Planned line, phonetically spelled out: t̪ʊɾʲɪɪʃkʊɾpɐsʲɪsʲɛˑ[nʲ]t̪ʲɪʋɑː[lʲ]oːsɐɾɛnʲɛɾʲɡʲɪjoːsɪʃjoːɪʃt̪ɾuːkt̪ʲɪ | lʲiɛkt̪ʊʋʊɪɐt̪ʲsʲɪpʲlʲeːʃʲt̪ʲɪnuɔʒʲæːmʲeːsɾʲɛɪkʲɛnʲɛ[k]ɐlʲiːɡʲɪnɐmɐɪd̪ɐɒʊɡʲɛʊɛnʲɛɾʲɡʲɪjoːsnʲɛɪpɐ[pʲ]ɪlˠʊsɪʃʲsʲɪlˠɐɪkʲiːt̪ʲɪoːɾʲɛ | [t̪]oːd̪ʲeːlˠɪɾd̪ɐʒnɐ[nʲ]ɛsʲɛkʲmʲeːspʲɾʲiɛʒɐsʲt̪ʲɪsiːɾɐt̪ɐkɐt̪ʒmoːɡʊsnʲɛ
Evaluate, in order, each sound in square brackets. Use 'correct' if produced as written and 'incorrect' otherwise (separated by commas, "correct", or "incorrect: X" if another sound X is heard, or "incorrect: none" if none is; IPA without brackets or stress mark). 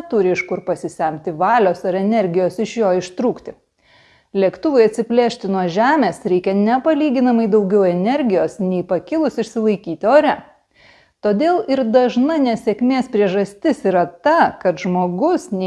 incorrect: mʲ, correct, incorrect: p, incorrect: kʲ, correct, correct